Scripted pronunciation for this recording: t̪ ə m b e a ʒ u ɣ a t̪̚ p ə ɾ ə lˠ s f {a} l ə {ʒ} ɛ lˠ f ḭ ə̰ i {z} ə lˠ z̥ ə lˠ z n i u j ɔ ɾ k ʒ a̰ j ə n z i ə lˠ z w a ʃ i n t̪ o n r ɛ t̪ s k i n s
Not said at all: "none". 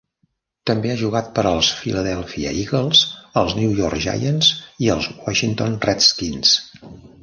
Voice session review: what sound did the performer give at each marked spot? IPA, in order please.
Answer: i, ð, ɣ

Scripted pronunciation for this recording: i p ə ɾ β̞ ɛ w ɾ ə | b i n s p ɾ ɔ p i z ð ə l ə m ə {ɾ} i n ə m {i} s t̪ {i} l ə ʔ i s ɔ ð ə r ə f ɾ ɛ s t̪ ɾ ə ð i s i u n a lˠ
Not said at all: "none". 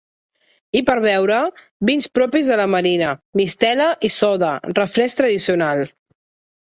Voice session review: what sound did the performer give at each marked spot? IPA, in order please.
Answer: ɾ, i, ɛ

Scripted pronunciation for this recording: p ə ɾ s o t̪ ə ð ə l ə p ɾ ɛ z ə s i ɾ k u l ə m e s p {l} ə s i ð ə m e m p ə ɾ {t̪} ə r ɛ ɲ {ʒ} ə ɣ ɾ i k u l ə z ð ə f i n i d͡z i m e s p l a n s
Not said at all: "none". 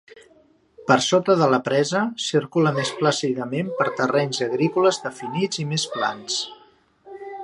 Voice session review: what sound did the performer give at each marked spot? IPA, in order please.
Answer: l, t̪, z

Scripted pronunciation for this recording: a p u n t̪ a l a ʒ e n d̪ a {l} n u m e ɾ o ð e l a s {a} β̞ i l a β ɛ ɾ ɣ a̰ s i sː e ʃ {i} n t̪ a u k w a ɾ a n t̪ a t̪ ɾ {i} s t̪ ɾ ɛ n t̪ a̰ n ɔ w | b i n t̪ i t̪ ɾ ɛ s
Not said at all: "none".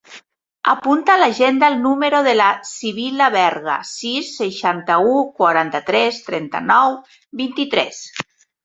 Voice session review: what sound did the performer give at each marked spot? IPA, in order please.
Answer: l, i, a, ɛ

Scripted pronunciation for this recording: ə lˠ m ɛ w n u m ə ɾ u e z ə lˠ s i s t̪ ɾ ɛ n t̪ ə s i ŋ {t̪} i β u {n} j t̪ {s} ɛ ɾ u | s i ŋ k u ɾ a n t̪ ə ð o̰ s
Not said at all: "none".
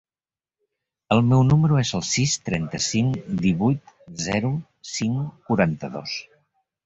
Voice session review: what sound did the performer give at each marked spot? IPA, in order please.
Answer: d̪, none, z

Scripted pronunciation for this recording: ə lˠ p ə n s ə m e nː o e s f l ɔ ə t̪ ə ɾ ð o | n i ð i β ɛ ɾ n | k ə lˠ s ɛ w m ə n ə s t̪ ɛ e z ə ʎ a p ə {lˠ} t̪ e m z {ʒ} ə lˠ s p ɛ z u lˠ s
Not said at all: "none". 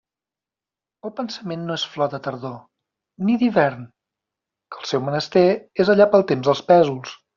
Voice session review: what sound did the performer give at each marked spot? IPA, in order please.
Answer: lˠ, ð

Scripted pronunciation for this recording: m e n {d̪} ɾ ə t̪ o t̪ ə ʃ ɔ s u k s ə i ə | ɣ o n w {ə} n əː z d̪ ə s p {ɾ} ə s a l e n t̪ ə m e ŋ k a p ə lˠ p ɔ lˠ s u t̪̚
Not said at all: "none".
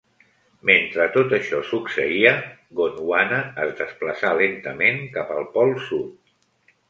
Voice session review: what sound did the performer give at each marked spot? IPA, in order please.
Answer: t̪, a, l

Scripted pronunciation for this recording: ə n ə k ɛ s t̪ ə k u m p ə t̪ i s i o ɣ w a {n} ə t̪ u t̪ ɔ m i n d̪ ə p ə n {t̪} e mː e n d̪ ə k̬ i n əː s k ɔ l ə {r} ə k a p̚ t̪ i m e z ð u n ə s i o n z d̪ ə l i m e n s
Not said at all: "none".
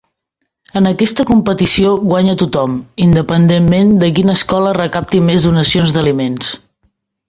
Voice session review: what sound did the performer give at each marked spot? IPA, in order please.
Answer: ɲ, d̪, r

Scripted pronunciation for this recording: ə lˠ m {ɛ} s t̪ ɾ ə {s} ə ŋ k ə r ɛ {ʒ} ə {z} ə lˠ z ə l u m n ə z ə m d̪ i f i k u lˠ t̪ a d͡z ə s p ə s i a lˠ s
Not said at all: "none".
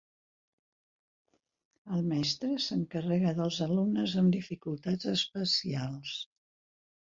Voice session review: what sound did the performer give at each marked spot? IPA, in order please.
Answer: ɛ, s, ɣ, ð

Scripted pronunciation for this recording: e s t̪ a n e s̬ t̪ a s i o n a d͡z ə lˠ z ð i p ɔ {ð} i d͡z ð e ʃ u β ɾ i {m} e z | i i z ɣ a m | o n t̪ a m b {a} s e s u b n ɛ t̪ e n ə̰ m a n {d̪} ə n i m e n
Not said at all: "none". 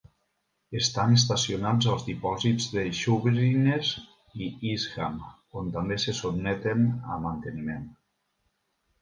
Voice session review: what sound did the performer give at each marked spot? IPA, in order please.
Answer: z, n, e, t̪

